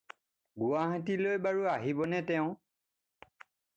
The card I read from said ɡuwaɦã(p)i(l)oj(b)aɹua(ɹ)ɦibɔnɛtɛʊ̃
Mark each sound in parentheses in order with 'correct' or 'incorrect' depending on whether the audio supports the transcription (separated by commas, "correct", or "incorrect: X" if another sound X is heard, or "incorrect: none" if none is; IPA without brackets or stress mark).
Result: incorrect: t, correct, correct, incorrect: none